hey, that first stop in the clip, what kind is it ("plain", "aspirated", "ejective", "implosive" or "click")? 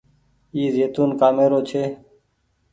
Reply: plain